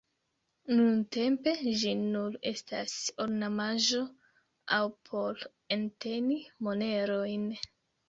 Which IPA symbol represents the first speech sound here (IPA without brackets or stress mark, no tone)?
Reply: n